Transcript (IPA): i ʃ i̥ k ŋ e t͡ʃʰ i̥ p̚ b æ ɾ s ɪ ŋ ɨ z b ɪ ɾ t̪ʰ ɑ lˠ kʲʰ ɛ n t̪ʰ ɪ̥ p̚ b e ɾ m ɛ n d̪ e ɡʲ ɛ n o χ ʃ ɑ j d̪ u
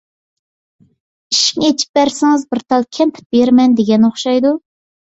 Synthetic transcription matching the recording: i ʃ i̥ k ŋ e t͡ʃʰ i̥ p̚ b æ ɾ s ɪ ŋ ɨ z b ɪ ɾ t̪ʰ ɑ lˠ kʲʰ ɛ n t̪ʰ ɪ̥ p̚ b e ɾ m ɛ n d̪ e ɡʲ ɛ n o χ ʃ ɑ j d̪ u